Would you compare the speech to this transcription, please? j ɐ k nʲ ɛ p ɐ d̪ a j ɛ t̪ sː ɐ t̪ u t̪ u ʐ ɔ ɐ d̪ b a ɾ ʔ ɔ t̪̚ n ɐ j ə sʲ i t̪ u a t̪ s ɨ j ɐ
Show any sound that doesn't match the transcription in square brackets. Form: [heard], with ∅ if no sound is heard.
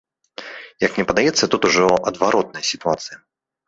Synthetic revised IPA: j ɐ k nʲ ɛ p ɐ d̪ a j ɛ t̪ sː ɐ t̪ u t̪ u ʐ ɔ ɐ d̪ [v] a ɾ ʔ ɔ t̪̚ n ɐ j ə sʲ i t̪ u a t̪ s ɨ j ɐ

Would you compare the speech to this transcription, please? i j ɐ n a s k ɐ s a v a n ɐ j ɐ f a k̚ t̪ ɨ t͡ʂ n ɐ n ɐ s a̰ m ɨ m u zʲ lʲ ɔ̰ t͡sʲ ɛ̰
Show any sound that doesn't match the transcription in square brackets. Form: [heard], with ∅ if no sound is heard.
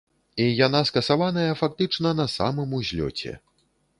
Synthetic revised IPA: i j [a] n a s k ɐ s a v a n ɐ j ɐ f a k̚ t̪ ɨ t͡ʂ n ɐ n ɐ s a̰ m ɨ m u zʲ lʲ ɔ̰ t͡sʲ ɛ̰

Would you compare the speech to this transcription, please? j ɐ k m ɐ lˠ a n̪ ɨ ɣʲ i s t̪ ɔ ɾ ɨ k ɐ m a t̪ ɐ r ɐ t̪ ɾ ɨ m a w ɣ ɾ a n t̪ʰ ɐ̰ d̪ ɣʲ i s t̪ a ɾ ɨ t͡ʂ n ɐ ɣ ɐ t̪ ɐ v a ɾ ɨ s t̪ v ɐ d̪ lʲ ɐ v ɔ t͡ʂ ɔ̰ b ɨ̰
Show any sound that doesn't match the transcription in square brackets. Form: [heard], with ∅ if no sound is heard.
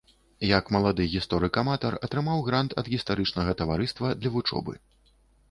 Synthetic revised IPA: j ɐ k m ɐ lˠ a [d̪] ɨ ɣʲ i s t̪ ɔ ɾ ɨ k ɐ m a t̪ ɐ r ɐ t̪ ɾ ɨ m a w ɣ ɾ a n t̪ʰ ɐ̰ d̪ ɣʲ i s t̪ a ɾ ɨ t͡ʂ n ɐ ɣ ɐ t̪ ɐ v a ɾ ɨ s t̪ v ɐ d̪ lʲ ɐ v [u] t͡ʂ ɔ̰ b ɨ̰

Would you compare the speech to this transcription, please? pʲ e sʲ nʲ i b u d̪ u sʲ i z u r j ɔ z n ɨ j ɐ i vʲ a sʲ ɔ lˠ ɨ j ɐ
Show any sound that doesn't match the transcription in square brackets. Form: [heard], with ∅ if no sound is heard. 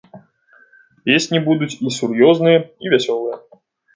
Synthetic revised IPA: pʲ e sʲ nʲ i b u d̪ u [t͡sʲ] i [s] u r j ɔ z n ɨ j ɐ i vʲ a sʲ ɔ lˠ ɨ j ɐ

